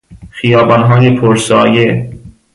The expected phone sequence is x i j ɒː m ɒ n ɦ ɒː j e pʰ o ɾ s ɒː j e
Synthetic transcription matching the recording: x i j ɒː b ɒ n ɦ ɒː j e pʰ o ɾ s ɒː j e